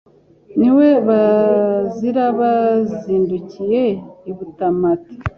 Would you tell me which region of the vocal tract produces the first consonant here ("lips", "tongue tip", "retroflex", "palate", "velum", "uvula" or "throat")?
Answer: tongue tip